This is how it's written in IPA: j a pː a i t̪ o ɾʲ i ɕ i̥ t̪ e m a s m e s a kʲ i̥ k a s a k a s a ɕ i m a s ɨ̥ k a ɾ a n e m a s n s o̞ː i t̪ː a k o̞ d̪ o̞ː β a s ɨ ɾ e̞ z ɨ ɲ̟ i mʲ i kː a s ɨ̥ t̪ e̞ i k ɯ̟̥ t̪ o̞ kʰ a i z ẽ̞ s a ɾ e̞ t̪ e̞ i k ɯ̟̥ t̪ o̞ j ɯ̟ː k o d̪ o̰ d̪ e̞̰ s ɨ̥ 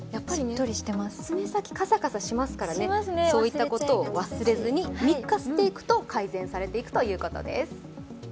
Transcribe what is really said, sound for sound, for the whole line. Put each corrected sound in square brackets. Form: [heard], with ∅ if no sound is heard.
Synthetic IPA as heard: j a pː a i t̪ o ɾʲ i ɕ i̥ t̪ e m a s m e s a kʲ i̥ k a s a k a s a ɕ i m a s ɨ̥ k a ɾ a n e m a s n s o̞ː i t̪ː a k o̞ [t̪] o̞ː β a s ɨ ɾ e̞ z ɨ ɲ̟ i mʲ i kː a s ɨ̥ t̪ e̞ i k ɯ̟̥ t̪ o̞ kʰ a i z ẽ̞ s a ɾ e̞ t̪ e̞ i k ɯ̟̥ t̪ o̞ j ɯ̟ː k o [t̪] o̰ d̪ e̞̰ s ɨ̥

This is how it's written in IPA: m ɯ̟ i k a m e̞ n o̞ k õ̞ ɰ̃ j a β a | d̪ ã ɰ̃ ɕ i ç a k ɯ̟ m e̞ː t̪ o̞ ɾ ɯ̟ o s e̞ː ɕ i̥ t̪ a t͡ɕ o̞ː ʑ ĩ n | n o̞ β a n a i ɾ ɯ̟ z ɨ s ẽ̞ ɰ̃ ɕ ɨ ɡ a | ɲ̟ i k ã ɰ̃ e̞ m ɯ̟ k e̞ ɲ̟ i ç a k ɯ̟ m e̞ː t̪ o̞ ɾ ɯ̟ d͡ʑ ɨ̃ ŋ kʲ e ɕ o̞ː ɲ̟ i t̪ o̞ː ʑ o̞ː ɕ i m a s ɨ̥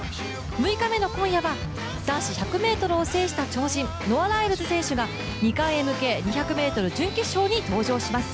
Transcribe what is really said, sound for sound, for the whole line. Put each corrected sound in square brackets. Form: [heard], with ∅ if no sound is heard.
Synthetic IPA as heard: m ɯ̟ i k a m e̞ n o̞ k õ̞ ɰ̃ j a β a | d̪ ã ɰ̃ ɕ i ç a k ɯ̟ m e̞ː t̪ o̞ ɾ ɯ̟ o s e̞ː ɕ i̥ t̪ a t͡ɕ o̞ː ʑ ĩ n | n o̞ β a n a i ɾ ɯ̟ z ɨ s ẽ̞ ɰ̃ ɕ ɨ ɡ a | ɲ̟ i k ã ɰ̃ e̞ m ɯ̟ k e̞ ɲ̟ i ç a k ɯ̟ m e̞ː t̪ o̞ ɾ ɯ̟ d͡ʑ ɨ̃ ŋ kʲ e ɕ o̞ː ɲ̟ i t̪ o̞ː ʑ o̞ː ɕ i m a s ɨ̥

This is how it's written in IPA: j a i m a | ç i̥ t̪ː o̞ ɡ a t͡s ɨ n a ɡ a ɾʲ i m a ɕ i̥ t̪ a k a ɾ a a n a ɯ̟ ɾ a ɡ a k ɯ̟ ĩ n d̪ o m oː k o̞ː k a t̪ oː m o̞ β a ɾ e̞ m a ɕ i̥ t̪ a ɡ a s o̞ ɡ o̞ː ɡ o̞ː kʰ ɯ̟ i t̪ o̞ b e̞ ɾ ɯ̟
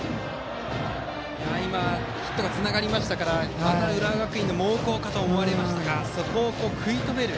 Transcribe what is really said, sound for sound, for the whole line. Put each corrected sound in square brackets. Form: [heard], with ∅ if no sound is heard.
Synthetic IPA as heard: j a i m a | ç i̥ t̪ː o̞ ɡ a t͡s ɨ n a ɡ a ɾʲ i m a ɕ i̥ t̪ a k a ɾ a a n a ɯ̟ ɾ a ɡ a k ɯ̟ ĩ n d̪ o m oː k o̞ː k a t̪ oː m o̞ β a ɾ e̞ m a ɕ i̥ t̪ a ɡ a s o̞ [k] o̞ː [k] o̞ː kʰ ɯ̟ i t̪ o̞ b e̞ ɾ ɯ̟

